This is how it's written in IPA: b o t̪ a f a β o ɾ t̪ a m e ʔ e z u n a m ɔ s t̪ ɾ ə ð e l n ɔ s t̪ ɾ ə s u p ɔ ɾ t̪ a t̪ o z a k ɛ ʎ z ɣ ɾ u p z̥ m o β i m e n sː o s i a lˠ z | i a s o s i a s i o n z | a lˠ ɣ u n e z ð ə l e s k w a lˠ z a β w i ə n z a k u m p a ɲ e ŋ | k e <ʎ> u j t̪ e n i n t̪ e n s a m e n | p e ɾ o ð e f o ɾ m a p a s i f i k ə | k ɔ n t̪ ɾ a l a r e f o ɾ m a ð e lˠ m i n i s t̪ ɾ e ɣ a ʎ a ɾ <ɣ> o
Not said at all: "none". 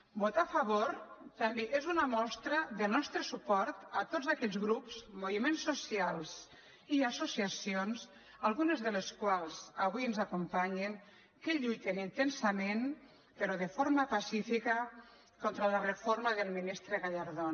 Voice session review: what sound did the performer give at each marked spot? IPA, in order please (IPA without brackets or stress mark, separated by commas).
ʎ, ð